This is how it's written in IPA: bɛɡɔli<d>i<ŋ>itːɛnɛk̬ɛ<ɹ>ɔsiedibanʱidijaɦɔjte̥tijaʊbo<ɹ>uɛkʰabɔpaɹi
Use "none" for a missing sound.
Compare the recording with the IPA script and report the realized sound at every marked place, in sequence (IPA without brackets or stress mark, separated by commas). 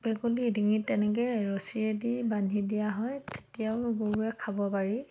d, ŋ, ɹ, ɹ